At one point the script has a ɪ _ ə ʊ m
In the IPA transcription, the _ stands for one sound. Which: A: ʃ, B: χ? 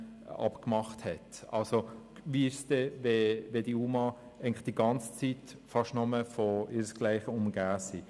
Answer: B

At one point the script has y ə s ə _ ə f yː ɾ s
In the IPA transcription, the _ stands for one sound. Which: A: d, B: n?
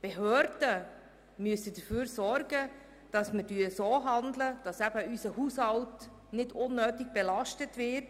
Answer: A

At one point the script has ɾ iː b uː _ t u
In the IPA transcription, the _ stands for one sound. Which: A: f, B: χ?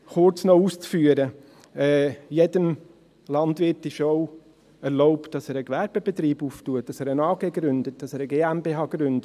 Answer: A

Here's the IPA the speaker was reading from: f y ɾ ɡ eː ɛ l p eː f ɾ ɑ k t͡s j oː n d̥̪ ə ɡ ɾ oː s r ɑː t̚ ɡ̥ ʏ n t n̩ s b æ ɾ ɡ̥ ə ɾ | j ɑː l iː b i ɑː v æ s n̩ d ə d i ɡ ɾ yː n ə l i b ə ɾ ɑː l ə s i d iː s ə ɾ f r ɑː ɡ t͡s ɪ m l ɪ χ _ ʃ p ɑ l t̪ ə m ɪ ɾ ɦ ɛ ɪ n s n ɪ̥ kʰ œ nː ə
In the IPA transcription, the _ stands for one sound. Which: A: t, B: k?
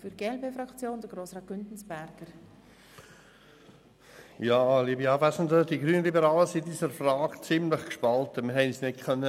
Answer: B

